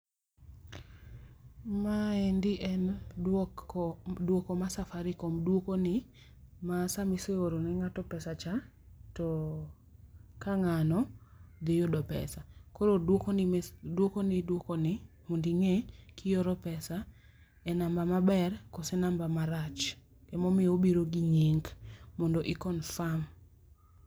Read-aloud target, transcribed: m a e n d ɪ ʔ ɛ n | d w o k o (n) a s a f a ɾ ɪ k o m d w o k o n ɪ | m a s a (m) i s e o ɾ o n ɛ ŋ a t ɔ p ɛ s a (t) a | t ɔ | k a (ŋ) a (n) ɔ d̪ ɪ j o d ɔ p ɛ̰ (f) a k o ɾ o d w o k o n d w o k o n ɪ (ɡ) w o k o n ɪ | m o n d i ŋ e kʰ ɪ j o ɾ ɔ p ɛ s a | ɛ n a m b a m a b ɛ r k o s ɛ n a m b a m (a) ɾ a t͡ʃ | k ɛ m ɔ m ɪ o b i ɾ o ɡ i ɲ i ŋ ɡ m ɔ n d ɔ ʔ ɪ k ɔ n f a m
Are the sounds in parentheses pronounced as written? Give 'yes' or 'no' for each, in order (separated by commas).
no, yes, no, yes, yes, no, no, yes